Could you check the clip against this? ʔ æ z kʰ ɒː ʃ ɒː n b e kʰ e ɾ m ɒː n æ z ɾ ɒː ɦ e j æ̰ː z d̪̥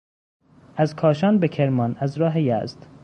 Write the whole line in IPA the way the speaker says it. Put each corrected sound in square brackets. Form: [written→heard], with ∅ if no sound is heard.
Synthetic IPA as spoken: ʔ æ z kʰ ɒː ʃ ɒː n b e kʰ e ɾ m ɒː n æ z ɾ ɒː ɦ e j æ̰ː z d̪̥